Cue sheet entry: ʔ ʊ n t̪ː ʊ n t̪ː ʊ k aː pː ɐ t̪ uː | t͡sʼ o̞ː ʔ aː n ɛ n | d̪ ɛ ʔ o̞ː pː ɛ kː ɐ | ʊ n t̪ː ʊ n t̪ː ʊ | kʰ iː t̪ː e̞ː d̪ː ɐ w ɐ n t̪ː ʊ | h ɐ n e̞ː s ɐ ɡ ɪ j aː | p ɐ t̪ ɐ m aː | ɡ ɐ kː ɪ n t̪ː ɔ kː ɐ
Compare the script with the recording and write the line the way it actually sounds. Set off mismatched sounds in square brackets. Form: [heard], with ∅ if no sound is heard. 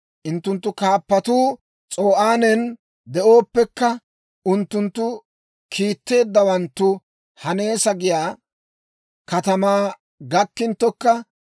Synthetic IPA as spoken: ʔ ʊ n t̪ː ʊ n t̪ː ʊ k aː pː ɐ t̪ uː | t͡sʼ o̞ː ʔ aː n ɛ n | d̪ ɛ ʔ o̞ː pː ɛ kː ɐ | ʊ n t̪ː ʊ n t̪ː ʊ | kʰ iː t̪ː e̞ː d̪ː ɐ w ɐ n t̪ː ʊ | h ɐ n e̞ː s ɐ ɡ ɪ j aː | [k] ɐ t̪ ɐ m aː | ɡ ɐ kː ɪ n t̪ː ɔ kː ɐ